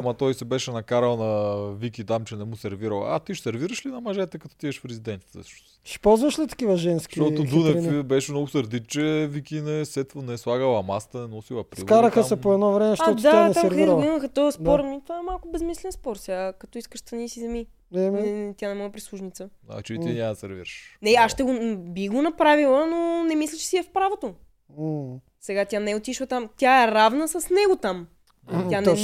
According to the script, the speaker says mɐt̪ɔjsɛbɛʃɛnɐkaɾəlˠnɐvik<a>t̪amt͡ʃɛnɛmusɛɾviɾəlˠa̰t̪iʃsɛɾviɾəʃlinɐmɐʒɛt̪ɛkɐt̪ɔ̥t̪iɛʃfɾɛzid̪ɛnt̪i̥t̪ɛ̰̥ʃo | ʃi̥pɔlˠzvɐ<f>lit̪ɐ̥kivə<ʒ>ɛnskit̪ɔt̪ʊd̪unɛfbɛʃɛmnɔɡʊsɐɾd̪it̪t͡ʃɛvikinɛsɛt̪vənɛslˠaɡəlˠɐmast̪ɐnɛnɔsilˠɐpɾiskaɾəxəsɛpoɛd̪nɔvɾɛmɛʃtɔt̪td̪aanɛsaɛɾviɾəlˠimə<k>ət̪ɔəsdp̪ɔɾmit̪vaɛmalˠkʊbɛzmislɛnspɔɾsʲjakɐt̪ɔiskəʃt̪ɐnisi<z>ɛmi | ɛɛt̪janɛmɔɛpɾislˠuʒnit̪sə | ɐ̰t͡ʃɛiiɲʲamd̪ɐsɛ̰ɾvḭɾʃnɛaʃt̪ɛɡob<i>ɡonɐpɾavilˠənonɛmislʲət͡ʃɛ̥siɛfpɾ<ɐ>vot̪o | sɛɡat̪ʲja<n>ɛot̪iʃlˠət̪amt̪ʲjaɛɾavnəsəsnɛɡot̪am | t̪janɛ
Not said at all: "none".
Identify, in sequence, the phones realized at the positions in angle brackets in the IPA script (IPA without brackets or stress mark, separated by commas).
i, ʃ, ʒ, x, z, i, a, n